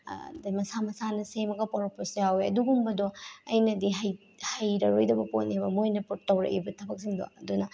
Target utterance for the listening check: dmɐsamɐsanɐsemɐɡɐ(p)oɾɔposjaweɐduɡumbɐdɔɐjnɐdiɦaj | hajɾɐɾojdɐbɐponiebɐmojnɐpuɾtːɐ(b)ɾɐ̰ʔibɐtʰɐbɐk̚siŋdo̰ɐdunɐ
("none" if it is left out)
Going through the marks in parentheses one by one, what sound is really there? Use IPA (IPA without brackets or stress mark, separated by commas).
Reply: p, w